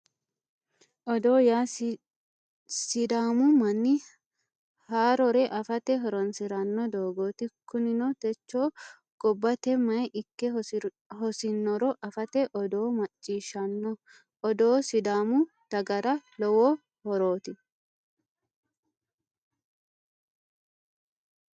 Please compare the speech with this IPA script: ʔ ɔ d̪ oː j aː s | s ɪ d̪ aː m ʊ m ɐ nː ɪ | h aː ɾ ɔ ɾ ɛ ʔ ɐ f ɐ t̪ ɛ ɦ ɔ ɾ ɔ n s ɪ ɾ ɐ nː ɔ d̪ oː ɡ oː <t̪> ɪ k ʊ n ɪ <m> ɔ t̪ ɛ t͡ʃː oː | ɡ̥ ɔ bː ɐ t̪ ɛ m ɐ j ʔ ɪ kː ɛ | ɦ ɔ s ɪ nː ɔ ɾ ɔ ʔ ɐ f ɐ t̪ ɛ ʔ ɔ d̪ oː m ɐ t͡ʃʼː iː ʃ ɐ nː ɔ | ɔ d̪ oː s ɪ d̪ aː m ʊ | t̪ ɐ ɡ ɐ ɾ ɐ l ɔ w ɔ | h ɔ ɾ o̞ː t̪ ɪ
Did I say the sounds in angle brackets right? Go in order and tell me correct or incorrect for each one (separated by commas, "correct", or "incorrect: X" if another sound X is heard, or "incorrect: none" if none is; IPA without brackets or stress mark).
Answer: correct, incorrect: n